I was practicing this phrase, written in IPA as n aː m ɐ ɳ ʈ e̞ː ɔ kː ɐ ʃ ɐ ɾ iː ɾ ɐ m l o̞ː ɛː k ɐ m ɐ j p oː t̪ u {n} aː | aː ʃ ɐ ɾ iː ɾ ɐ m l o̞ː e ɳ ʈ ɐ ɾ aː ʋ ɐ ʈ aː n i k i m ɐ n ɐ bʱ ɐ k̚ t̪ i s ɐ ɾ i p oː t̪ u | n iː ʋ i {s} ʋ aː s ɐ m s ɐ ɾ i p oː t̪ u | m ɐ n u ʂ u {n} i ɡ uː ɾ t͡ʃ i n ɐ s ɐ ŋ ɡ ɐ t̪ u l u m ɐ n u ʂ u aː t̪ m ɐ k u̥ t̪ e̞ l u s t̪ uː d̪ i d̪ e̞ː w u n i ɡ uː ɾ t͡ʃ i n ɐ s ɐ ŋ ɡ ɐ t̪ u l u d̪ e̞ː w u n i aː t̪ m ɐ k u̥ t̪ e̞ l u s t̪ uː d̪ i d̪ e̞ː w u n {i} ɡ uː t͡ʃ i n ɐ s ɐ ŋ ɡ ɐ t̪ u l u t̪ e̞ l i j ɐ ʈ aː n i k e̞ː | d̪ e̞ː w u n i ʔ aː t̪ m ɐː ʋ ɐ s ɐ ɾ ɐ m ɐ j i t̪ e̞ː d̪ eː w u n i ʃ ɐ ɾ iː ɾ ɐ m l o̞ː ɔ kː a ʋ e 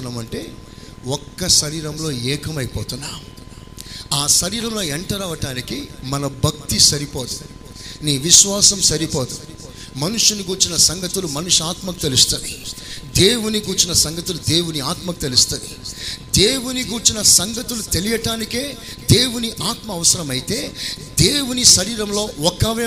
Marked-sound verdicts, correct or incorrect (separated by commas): incorrect, incorrect, correct, correct